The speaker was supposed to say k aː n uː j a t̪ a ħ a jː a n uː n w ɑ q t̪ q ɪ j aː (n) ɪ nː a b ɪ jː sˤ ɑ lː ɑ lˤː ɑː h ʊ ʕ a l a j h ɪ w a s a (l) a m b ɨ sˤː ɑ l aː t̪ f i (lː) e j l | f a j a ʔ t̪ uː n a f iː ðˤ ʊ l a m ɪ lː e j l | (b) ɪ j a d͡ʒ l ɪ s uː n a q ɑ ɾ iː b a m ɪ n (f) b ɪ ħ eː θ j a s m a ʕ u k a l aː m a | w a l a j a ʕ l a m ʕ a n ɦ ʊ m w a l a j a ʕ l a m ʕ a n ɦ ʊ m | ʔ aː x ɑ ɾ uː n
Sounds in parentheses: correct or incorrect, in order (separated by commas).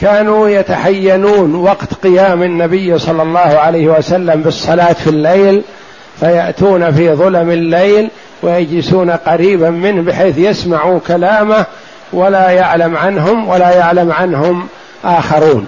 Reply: incorrect, incorrect, correct, incorrect, incorrect